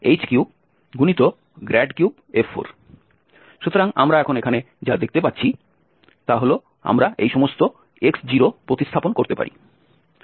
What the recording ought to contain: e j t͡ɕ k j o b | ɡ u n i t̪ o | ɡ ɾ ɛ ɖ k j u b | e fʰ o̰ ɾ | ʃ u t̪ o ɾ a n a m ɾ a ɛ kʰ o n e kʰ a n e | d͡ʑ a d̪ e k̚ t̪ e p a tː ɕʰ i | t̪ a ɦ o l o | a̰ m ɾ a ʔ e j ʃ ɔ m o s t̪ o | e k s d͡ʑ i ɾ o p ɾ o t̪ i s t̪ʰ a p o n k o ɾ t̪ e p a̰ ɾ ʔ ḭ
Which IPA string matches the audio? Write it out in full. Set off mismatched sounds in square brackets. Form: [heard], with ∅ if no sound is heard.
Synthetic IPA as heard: e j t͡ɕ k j [u] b | ɡ u n i t̪ o | ɡ ɾ ɛ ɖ k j u b | e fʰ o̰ ɾ | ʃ u t̪ o ɾ a [ŋ] a m ɾ a ɛ kʰ o n e kʰ a n e | d͡ʑ a d̪ e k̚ t̪ e p a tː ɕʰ i | t̪ a ɦ o l o | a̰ m ɾ a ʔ e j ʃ ɔ m o s t̪ o | e k s d͡ʑ i ɾ o p ɾ o t̪ i s t̪ʰ a p o n k o ɾ t̪ e p a̰ ɾ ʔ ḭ